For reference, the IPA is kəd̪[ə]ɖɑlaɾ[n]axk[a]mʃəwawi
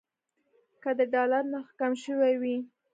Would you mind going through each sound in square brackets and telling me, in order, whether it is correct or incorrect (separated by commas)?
correct, correct, correct